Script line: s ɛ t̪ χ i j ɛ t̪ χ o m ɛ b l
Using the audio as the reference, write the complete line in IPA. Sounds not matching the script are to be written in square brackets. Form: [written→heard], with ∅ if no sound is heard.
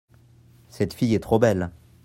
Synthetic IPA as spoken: s ɛ t̪ [χ→f] i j ɛ t̪ χ o [m→b] ɛ [b→∅] l